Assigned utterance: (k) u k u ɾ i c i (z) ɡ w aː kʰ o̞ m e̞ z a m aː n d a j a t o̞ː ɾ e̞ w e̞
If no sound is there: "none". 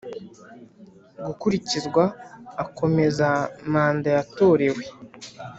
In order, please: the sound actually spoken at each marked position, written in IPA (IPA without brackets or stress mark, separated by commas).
ɡ, z